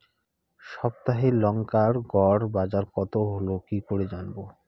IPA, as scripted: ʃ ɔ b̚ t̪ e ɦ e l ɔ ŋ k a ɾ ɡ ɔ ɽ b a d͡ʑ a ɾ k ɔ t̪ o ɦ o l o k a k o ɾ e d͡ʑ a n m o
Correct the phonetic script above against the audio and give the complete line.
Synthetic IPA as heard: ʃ ɔ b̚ t̪ a ɦ e l ɔ ŋ k a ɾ ɡ ɔ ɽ b a d͡ʑ a ɾ k ɔ t̪ o ɦ o l o k i k o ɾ e d͡ʑ a n b o